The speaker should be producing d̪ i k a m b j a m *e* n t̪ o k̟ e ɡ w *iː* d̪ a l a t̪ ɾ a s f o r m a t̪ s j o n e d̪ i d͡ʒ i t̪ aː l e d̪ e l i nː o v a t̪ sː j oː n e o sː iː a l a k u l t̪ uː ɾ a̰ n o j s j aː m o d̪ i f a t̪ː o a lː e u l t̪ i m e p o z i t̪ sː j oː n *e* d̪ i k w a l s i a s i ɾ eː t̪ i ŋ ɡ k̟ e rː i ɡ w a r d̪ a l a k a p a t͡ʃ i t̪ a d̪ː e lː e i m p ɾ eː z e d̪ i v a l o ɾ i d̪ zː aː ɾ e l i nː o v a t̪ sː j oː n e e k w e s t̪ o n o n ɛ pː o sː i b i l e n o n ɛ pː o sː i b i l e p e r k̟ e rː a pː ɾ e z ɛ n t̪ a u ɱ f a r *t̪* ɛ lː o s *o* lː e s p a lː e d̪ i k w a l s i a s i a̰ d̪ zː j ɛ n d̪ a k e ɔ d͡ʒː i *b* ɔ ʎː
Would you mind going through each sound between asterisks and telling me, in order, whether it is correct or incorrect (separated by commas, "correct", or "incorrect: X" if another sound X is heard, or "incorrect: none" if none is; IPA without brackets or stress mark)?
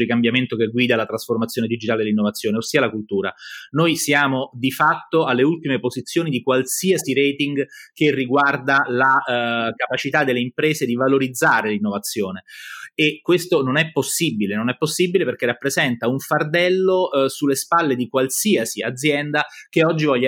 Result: correct, correct, incorrect: i, incorrect: d̪, incorrect: u, incorrect: v